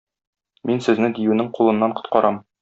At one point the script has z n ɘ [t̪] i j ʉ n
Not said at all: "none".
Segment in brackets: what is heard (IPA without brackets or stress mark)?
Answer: d̪